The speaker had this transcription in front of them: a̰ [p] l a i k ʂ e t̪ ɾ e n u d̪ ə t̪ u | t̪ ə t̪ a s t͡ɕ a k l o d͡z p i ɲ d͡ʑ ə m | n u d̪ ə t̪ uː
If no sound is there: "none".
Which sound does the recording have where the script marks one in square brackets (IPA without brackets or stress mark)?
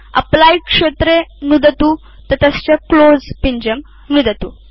p